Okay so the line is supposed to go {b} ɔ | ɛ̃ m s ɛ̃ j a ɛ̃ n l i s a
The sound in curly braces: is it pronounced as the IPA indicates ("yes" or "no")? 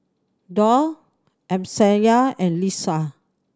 no